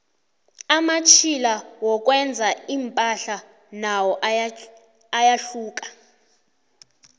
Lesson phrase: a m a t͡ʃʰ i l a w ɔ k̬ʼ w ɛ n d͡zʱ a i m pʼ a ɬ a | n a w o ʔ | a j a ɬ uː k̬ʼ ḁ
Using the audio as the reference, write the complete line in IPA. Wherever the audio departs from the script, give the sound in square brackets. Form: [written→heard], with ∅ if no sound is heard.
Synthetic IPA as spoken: a m a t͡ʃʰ i l a w ɔ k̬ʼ w ɛ n d͡zʱ a i m pʼ a ɬ a | n a w [o→ɔ] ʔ | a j a ɬ uː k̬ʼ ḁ

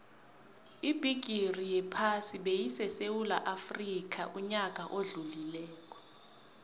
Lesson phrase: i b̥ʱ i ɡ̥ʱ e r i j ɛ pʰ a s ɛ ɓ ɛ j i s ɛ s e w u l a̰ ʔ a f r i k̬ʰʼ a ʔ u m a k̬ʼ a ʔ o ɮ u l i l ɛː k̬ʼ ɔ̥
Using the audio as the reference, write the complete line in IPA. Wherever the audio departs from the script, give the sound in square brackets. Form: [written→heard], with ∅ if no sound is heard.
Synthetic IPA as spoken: i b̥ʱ i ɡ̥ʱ [e→i] r i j ɛ pʰ a s [ɛ→i] ɓ [ɛ→e] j i s ɛ s e w u l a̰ ʔ a f r i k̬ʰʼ a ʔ u [m→ɲ] a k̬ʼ a ʔ o ɮ u l i l ɛː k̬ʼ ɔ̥

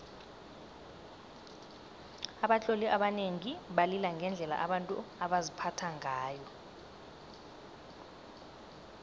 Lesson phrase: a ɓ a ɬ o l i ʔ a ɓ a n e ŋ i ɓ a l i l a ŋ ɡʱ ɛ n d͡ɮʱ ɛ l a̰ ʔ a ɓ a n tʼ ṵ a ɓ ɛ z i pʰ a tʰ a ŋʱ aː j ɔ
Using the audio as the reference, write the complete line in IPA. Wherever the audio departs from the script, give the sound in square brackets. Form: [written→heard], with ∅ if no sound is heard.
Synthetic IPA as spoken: a ɓ a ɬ o l i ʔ a ɓ a n e ŋ i ɓ a l i l a ŋ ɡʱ ɛ n d͡ɮʱ ɛ l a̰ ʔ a ɓ a n tʼ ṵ a ɓ [ɛ→a] z i pʰ a tʰ a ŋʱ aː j ɔ

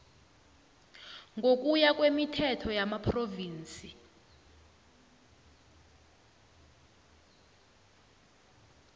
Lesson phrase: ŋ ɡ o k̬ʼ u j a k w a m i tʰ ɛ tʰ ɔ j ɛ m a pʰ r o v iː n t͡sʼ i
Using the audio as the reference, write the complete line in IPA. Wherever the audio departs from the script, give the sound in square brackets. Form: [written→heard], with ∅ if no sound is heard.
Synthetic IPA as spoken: ŋ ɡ o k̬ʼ u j a k w [a→e] m i tʰ ɛ tʰ ɔ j [ɛ→a] m a pʰ r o v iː n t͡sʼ i

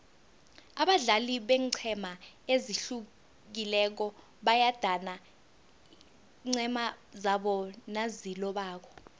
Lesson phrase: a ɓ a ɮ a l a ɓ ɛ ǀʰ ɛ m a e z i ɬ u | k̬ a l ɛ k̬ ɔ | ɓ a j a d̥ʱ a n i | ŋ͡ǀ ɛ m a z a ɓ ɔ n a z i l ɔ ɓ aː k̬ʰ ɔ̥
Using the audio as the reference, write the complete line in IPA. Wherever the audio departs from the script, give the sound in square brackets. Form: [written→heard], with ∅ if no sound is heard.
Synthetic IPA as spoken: a ɓ a ɮ a l [a→i] ɓ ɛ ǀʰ ɛ m a e z i ɬ u | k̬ [a→i] l ɛ k̬ ɔ | ɓ a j a d̥ʱ a n [i→a] | ŋ͡ǀ ɛ m a z a ɓ ɔ n a z i l ɔ ɓ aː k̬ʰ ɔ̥

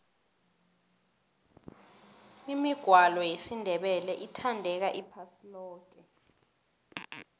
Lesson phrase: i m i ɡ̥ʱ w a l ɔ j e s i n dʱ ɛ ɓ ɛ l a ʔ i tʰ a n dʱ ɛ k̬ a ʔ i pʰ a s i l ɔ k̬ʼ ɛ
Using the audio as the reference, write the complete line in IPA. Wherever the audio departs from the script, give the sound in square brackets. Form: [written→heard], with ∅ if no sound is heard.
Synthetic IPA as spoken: i m i ɡ̥ʱ w a l ɔ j e s i n dʱ ɛ ɓ ɛ l [a→ɛ] ʔ i tʰ a n dʱ ɛ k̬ a ʔ i pʰ a s i l [ɔ→ɔː] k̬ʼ ɛ

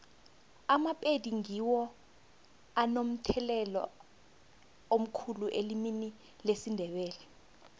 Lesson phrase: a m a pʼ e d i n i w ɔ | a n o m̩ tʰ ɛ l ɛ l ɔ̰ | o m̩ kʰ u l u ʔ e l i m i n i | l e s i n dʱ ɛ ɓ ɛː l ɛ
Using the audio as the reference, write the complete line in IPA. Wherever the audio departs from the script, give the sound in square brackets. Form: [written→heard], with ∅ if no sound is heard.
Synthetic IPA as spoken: a m a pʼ e d i [n→ŋ] i w ɔ | a n o m̩ tʰ ɛ l ɛ l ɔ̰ | o m̩ kʰ u l u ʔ e l i m i n i | l e s i n dʱ ɛ ɓ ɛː l ɛ

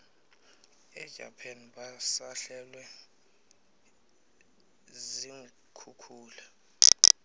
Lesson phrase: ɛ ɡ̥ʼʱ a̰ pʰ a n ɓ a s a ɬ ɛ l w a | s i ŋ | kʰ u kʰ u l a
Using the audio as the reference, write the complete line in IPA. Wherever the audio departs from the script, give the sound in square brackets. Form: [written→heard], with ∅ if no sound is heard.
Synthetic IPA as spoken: ɛ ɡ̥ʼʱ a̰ pʰ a n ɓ a s a ɬ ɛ l w [a→ɛ] | [s→z] i ŋ | kʰ u kʰ [u→uː] l a

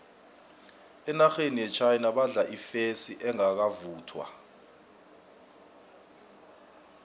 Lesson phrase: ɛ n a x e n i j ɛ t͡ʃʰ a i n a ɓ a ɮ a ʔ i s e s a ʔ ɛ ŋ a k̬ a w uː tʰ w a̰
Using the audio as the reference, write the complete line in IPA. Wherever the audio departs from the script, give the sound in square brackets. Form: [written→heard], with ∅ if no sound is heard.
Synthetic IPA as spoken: ɛ n a x e n i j ɛ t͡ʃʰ a [i→j] n a ɓ a ɮ a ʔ i [s→f] e s [a→i] ʔ ɛ ŋ a k̬ a [w→v] uː tʰ w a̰

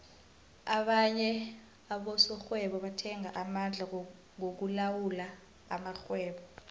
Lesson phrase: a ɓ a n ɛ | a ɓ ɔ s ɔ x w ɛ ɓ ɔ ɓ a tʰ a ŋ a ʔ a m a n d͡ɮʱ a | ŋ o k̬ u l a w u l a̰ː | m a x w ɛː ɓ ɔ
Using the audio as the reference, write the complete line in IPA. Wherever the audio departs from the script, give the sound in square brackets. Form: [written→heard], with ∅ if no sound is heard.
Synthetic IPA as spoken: a ɓ a [n→ɲ] ɛ | a ɓ ɔ s ɔ x w ɛ ɓ ɔ ɓ a tʰ [a→ɛ] ŋ a ʔ a m a n d͡ɮʱ a | ŋ o k̬ u l a w u l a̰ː | m a x w ɛː ɓ ɔ

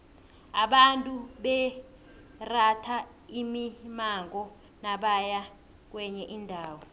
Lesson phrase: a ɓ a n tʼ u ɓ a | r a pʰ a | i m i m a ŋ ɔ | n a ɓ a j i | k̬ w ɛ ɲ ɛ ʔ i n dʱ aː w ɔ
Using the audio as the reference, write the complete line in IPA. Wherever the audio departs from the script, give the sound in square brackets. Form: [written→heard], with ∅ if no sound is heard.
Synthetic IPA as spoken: a ɓ a n tʼ u ɓ [a→ɛ] | r a [pʰ→tʰ] a | i m i m a ŋ ɔ | n a ɓ a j [i→a] | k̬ w ɛ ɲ ɛ ʔ i n dʱ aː w ɔ

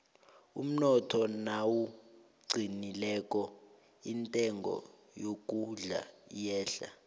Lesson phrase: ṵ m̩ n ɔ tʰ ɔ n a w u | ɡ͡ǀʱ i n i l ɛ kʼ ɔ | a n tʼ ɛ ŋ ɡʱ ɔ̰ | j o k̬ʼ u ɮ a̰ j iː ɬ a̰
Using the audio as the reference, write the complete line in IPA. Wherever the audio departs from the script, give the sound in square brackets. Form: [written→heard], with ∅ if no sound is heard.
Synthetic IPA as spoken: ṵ m̩ n ɔ tʰ ɔ n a w u | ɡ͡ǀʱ i n i l ɛ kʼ ɔ | [a→i] n tʼ ɛ ŋ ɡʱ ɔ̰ | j o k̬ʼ u ɮ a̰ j [iː→ɛː] ɬ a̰

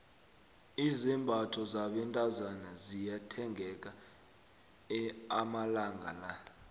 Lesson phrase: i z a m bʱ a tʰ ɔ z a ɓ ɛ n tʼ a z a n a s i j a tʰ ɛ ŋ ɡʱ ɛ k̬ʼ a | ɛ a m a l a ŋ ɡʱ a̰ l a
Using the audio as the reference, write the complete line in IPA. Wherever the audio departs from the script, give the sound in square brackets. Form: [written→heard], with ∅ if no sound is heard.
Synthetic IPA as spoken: i z [a→i] m bʱ a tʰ ɔ z a ɓ ɛ n tʼ a z a n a [s→z] i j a tʰ ɛ ŋ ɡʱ ɛ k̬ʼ a | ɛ a m a l a ŋ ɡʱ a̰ l a

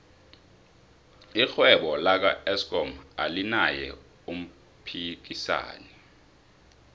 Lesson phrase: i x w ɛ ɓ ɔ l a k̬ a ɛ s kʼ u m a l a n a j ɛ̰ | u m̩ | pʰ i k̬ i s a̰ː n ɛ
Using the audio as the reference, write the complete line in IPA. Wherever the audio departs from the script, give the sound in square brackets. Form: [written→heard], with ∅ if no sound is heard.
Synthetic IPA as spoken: i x w ɛ ɓ ɔ l a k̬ a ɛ s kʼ [u→ɔ] m a l [a→i] n a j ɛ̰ | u m̩ | pʰ i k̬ i s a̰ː n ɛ

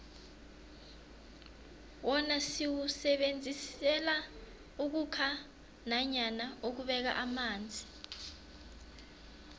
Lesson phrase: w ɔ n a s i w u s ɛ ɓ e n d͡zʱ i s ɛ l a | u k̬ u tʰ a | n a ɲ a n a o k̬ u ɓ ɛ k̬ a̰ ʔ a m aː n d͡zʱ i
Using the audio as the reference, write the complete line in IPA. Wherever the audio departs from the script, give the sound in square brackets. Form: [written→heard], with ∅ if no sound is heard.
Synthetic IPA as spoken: w ɔ n a s i w u s ɛ ɓ e n d͡zʱ i s ɛ l a | u k̬ u [tʰ→kʰ] a | n a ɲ a n a o k̬ u ɓ ɛ k̬ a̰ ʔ a m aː n d͡zʱ i

